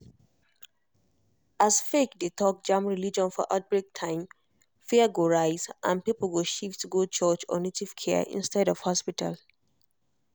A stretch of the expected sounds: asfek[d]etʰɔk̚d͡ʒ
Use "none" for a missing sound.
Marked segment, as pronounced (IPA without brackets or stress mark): d